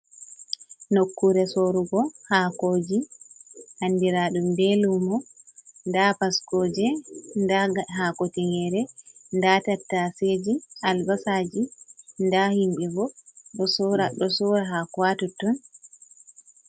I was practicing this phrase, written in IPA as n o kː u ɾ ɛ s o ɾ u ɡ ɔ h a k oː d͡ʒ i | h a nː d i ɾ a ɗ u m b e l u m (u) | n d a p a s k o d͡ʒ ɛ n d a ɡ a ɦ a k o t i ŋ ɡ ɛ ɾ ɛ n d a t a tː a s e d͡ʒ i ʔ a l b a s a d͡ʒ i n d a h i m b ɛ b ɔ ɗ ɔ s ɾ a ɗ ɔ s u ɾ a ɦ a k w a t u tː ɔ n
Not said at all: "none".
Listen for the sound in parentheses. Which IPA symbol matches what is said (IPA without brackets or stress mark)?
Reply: ɔ